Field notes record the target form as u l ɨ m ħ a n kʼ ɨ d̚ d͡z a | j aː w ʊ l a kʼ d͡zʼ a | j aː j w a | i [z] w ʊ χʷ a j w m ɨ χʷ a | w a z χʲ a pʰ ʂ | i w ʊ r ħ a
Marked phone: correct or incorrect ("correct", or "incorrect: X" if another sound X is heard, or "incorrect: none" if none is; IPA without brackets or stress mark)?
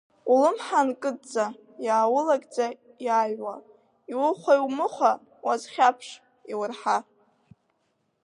incorrect: none